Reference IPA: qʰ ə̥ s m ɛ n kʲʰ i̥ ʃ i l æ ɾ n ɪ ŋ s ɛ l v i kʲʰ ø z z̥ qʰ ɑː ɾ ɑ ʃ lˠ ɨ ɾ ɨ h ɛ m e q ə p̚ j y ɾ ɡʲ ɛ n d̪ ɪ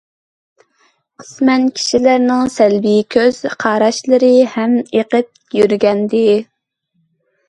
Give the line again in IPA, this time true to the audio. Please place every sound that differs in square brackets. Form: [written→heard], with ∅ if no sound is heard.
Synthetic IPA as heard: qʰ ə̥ s m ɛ n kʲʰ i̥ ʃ i l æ ɾ n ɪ ŋ s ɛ l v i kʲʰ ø z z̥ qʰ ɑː ɾ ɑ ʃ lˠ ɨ ɾ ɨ h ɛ m e q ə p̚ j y ɾ ɡʲ ɛ n d̪ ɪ